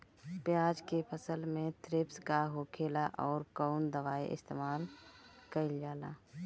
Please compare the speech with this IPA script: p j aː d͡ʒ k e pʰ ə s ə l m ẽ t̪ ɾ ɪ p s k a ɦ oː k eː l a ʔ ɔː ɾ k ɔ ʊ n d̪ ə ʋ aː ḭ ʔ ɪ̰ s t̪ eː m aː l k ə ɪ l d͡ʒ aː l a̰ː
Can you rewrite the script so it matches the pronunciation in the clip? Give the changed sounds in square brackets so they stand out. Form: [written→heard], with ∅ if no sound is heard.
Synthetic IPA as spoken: p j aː d͡ʒ k e pʰ ə s ə l m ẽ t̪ ɾ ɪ p s k a ɦ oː [k→kʰ] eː l a ʔ ɔː ɾ k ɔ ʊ n d̪ ə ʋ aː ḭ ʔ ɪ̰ s t̪ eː m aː l k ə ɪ l d͡ʒ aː l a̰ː